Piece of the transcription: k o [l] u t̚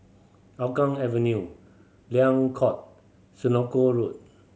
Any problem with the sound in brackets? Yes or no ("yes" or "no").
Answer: yes